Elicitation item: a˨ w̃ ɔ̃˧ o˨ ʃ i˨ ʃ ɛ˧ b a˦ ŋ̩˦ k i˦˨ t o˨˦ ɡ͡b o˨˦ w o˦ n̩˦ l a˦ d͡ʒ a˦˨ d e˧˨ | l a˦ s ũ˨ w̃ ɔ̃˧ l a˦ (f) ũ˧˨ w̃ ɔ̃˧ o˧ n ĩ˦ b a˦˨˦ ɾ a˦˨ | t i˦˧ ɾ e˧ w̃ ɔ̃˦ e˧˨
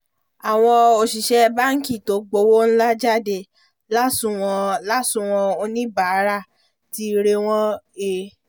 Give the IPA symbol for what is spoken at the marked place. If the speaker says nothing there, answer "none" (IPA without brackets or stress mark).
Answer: s